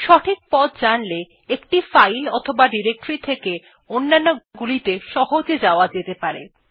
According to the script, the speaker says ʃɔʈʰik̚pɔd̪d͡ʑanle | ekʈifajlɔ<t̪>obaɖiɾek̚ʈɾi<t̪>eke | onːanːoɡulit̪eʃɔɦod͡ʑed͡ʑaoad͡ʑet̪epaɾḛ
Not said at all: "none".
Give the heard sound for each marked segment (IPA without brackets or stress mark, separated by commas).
t̪ʰ, t̪ʰ